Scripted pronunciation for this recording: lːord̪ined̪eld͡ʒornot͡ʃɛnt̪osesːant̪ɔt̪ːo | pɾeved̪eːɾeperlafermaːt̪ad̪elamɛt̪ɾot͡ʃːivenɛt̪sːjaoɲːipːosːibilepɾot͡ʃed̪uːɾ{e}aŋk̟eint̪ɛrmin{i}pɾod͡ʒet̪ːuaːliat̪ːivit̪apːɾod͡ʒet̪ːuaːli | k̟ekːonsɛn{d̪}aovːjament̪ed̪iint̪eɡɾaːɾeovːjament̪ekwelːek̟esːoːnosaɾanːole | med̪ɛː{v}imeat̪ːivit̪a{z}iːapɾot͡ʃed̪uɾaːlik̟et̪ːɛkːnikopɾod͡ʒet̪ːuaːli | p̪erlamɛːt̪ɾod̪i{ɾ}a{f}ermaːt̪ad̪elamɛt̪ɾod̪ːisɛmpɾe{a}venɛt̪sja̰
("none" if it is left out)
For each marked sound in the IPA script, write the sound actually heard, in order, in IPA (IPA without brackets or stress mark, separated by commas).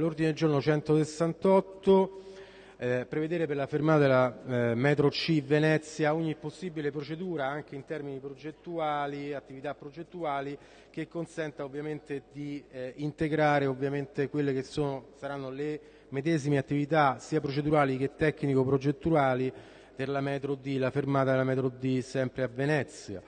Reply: a, i, t̪, z, s, l, f, a